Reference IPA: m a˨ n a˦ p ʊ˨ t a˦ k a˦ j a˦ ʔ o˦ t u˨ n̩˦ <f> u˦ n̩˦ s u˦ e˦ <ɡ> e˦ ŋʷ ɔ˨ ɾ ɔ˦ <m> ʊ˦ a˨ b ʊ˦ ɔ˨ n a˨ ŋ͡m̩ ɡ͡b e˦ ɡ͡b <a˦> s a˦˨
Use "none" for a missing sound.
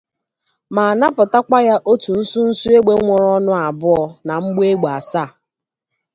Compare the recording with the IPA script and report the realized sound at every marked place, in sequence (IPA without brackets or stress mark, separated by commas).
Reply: s, ɡ͡b, n, a˨